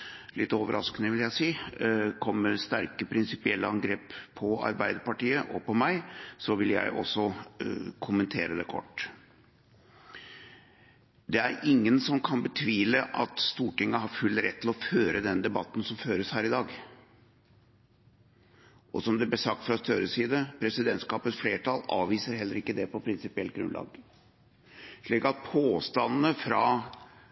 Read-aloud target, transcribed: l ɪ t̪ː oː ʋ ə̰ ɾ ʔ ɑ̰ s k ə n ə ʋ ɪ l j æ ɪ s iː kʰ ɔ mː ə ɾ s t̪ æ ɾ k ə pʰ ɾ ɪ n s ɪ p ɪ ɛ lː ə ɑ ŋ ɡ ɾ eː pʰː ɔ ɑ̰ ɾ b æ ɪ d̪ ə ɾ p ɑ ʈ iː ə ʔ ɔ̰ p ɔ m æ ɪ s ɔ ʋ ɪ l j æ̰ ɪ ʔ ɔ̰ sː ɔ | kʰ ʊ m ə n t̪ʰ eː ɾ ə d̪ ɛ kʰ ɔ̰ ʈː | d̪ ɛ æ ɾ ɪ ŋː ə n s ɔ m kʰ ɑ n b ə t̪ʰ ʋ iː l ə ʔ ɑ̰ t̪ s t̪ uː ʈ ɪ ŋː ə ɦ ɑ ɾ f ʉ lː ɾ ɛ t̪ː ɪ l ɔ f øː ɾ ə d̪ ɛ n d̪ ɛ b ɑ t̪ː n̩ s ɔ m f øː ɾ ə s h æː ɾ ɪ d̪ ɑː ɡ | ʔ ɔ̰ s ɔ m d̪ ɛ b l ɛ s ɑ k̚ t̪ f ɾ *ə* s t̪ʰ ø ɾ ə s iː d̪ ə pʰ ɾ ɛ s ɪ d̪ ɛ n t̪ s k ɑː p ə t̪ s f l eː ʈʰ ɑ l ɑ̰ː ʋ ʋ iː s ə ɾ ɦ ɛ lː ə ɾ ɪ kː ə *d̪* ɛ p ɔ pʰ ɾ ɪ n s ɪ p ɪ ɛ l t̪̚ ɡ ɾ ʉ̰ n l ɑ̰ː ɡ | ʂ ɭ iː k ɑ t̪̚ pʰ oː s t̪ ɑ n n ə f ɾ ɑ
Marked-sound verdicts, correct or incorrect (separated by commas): incorrect, correct